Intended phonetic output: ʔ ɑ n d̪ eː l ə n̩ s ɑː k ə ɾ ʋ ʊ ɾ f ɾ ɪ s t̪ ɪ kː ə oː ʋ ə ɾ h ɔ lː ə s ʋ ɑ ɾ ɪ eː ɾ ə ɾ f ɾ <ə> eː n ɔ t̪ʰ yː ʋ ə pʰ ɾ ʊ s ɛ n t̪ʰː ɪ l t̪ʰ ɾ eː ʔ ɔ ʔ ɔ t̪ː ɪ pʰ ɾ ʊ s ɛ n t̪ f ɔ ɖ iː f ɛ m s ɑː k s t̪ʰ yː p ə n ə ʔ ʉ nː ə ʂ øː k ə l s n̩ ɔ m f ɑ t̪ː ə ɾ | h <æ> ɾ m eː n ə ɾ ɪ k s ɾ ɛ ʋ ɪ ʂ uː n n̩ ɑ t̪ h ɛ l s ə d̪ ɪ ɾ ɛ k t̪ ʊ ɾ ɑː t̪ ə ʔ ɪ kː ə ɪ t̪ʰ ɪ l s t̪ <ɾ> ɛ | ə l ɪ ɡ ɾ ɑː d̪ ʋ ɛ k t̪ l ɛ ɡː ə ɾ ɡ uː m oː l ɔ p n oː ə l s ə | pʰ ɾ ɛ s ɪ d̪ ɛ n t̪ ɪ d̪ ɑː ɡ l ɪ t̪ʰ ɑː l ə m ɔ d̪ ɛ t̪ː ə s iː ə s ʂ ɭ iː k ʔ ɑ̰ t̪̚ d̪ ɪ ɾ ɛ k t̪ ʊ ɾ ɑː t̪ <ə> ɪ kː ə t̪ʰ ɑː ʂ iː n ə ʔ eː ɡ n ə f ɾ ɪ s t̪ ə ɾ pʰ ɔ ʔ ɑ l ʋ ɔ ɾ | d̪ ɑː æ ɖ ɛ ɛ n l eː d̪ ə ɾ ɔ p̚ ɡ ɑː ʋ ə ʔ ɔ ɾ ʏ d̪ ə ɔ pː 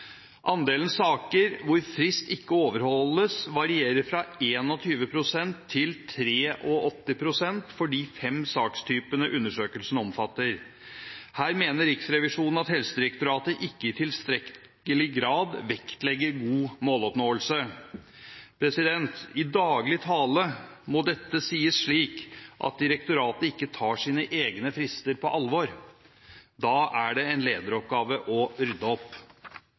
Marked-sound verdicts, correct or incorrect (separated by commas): incorrect, incorrect, correct, correct